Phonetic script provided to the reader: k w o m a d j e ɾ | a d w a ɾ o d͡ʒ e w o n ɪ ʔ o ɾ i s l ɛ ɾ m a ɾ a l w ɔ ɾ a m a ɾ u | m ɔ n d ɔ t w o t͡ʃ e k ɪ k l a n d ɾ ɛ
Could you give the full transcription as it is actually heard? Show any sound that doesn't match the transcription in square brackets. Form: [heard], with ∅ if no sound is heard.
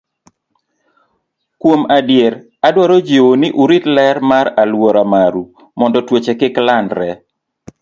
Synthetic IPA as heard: k w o m a d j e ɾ | a d w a ɾ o d͡ʒ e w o n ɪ ʔ [u] ɾ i [t] l ɛ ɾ m a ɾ a l w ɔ ɾ a m a ɾ u | m ɔ n d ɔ t w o t͡ʃ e k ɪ k l a n d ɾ ɛ